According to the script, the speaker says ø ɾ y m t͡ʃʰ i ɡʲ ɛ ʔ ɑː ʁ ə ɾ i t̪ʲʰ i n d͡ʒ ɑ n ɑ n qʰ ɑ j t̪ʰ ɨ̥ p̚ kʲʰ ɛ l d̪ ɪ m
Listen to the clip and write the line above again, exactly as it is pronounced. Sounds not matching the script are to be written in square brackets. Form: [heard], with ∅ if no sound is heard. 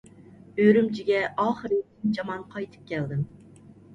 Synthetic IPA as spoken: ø ɾ y m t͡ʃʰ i ɡʲ ɛ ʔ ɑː [χ] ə ɾ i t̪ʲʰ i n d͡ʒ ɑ [m] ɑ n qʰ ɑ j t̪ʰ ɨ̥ p̚ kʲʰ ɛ l d̪ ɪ m